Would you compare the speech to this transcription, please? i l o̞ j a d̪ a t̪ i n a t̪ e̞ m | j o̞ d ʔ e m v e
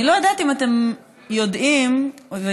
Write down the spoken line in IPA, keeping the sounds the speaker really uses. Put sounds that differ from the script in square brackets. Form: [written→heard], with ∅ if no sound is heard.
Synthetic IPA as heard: i l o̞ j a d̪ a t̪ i [n→m] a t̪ e̞ m | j o̞ d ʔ [e→i] m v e